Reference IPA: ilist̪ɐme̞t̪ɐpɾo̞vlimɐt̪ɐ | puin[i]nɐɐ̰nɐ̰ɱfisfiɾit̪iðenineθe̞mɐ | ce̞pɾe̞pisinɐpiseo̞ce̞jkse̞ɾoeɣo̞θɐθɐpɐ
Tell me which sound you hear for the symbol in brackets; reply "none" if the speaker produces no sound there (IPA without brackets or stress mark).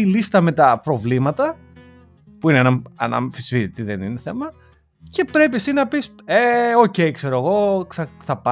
e